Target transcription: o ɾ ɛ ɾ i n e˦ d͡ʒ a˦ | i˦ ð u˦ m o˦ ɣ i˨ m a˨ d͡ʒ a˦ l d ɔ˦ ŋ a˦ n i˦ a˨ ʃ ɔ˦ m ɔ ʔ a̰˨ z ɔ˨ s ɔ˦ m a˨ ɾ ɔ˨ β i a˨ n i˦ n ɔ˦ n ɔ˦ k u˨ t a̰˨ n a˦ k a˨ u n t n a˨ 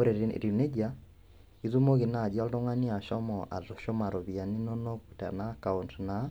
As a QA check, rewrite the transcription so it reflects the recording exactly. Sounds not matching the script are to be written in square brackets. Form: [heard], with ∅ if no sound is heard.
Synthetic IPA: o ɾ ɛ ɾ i n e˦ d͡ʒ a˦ | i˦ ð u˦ m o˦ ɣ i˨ [n] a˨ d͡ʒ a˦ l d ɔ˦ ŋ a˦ n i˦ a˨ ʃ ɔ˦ m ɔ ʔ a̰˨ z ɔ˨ [ʃ] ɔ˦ m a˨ ɾ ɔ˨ β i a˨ n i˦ n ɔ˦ n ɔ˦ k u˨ t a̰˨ n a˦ k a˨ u n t n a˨

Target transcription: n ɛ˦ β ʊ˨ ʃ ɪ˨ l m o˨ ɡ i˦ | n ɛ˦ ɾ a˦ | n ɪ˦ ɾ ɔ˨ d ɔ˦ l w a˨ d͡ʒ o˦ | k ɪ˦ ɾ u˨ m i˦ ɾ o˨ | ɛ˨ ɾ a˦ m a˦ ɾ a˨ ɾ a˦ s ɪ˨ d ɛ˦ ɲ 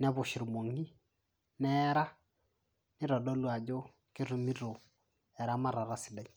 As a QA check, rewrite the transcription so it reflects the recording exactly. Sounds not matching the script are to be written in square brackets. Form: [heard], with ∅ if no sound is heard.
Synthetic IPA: n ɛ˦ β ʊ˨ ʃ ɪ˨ [ɾ] m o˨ [ŋ] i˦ | n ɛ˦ ɾ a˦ | n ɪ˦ ɾ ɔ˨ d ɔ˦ l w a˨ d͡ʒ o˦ | k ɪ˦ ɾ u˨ m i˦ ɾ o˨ | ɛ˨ ɾ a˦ m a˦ ɾ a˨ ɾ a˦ s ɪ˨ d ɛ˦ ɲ

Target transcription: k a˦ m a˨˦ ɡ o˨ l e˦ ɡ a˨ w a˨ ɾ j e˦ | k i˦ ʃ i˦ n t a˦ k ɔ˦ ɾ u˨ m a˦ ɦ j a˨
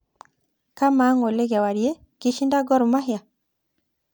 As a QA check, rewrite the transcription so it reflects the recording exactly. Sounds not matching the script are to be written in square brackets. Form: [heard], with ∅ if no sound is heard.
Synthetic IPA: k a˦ m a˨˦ [ŋ] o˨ l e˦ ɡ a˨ w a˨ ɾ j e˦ | k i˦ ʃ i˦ n [d] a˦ [ɡ] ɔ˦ ɾ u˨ m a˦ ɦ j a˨

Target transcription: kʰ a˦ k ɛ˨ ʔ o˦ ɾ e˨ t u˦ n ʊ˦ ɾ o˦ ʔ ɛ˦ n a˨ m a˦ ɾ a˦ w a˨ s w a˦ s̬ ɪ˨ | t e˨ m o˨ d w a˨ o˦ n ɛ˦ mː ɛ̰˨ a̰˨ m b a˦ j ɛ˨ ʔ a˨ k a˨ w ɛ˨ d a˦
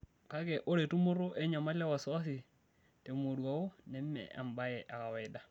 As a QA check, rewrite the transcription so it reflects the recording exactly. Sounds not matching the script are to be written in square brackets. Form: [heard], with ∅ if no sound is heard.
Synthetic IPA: [k] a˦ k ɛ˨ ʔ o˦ ɾ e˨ t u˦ [m] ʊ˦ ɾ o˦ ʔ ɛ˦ [ɲ] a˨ m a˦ [l] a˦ w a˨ s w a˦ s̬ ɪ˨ | t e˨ m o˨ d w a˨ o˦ n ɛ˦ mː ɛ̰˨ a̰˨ m b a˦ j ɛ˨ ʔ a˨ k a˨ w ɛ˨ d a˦

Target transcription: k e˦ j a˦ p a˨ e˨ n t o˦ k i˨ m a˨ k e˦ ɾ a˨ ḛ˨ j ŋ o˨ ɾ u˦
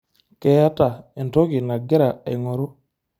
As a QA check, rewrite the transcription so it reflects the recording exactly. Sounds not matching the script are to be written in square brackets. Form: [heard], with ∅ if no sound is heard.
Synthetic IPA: k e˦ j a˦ [t] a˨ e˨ n t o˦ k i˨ [n] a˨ [ɡ] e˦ ɾ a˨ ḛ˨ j ŋ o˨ ɾ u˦

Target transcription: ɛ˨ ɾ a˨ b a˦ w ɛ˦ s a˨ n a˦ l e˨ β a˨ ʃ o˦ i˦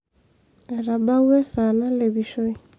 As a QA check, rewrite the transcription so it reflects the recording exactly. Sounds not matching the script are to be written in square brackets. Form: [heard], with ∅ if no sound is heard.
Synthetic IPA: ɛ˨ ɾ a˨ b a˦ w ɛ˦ s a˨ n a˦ l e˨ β [i˨] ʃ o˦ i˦

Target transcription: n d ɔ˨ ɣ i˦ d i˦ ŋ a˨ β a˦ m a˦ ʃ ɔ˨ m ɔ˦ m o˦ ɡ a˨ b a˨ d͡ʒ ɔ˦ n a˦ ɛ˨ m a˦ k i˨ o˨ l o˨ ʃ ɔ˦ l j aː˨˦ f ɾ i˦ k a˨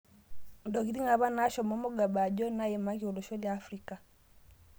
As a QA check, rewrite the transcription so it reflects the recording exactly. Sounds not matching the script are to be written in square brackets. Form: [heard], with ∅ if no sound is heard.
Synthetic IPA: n d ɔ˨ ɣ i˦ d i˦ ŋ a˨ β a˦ [n] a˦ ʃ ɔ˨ m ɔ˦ m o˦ ɡ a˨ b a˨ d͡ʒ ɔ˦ n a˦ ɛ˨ m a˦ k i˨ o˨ l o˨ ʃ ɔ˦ l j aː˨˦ f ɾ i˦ k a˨

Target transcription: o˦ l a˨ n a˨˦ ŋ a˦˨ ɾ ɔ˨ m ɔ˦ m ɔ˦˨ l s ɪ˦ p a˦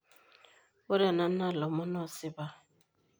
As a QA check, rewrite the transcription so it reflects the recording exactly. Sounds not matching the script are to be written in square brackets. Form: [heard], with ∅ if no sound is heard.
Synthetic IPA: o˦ [ɾ] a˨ n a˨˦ [n] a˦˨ [l] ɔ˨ m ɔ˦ [n] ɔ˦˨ [∅] s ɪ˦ [b] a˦

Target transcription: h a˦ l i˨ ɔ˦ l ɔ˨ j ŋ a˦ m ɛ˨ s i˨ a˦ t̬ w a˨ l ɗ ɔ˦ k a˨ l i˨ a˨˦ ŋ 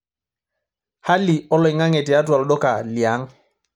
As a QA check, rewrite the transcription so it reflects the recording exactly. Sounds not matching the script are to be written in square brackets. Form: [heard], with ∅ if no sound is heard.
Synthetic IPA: h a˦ l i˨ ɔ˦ l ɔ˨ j ŋ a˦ [ŋ] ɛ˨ [t] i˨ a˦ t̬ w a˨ l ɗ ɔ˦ k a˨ l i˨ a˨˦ ŋ

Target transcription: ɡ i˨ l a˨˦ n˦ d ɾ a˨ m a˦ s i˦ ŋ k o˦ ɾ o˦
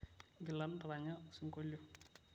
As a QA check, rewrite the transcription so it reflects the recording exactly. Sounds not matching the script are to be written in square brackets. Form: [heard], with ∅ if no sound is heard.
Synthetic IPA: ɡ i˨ l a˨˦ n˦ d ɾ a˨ [ɲ] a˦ s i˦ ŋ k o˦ [l] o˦

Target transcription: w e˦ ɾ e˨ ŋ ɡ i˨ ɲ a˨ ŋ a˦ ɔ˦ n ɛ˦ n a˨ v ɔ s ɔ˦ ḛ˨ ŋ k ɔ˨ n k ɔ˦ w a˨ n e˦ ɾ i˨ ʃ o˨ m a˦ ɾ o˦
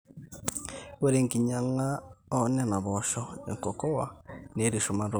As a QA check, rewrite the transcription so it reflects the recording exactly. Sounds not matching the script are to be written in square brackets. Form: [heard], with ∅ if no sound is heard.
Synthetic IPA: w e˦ ɾ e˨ ŋ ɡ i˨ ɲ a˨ ŋ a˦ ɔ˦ n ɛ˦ n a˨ [β] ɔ [ʃ] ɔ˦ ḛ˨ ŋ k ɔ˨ [∅] k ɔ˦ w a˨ n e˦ ɾ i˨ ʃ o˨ m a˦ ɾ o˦

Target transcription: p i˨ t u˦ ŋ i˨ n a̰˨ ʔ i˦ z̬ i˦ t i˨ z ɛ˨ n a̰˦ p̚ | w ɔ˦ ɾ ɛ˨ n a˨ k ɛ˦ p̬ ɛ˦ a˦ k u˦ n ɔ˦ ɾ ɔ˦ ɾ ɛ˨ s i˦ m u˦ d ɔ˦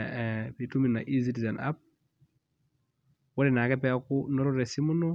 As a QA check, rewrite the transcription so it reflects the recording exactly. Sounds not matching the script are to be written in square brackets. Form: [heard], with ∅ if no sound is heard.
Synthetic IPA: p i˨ t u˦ [m] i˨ n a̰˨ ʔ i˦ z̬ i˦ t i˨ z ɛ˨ n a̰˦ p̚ | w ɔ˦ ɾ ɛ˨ n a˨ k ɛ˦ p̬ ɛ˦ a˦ k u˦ n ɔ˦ ɾ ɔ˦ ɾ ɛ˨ s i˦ m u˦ [n] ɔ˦

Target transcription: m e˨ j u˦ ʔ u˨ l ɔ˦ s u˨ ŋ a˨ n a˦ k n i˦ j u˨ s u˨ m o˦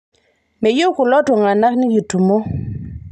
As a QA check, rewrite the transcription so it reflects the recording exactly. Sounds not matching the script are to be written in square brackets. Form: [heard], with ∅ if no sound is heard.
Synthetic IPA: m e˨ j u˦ [k] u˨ l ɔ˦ [t] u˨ ŋ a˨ n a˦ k n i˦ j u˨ [t] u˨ m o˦

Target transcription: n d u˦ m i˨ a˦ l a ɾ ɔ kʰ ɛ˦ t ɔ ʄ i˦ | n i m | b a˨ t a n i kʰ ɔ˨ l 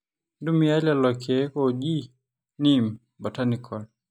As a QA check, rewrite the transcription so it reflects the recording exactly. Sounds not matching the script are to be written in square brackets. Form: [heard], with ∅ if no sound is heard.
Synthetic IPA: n d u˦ m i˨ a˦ l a [l] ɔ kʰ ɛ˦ [k] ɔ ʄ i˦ | n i m | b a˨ t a n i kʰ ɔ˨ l

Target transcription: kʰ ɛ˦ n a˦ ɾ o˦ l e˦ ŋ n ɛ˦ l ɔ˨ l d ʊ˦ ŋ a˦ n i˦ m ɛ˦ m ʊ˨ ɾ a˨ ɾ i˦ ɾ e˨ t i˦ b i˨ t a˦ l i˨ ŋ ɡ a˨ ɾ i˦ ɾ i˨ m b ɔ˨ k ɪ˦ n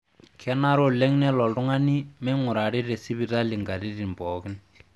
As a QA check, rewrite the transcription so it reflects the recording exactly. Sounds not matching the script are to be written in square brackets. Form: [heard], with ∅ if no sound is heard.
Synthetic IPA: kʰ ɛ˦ n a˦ ɾ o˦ l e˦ ŋ n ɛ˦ l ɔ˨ l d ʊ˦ ŋ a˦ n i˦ m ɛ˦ [ŋ] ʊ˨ ɾ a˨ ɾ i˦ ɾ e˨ [s] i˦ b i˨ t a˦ l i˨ ŋ ɡ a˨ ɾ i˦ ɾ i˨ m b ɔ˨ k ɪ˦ n

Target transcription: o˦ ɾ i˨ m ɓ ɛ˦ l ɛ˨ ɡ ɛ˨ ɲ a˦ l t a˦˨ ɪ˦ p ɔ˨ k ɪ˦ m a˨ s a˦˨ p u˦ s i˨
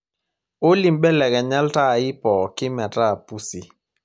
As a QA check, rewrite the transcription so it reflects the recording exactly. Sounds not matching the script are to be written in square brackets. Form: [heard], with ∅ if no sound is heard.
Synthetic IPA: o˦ [l] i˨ m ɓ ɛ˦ l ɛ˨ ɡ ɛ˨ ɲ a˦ l t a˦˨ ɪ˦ p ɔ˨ k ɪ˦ m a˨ [t] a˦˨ p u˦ s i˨

